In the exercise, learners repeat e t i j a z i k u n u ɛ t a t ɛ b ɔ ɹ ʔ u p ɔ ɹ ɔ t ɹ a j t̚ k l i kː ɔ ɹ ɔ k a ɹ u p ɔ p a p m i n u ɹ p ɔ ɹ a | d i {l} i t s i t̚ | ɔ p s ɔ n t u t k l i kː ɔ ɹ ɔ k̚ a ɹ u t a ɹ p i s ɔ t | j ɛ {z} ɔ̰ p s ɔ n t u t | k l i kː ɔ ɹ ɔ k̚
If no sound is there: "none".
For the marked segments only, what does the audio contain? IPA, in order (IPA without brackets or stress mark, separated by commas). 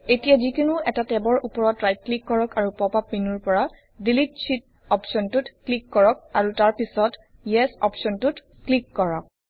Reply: l, s